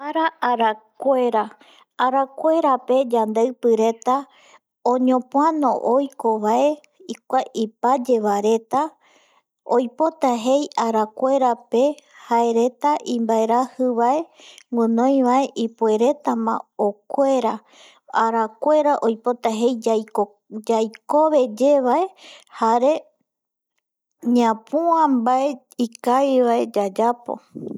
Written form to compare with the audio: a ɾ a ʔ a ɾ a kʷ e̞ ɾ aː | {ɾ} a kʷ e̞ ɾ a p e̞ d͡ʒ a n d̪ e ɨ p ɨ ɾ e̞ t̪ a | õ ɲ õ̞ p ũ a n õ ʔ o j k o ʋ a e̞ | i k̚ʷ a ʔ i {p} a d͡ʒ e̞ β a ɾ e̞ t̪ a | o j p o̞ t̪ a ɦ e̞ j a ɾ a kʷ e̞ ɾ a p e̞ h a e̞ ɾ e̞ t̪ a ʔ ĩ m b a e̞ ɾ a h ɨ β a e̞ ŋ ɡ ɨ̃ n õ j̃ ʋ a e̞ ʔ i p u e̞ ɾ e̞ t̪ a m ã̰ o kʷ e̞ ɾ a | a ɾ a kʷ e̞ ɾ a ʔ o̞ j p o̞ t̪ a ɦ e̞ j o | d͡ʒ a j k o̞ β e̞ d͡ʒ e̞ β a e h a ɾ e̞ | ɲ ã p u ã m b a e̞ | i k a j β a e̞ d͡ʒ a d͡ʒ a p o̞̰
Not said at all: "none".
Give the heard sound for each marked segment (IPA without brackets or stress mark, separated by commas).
ɾ, p